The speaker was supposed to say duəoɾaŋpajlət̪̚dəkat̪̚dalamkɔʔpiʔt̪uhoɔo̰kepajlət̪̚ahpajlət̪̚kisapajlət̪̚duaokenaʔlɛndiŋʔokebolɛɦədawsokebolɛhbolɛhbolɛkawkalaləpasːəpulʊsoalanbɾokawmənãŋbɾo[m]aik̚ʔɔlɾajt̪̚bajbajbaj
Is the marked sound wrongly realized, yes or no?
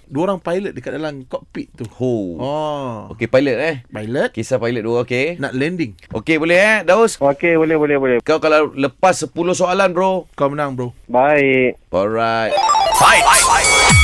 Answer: yes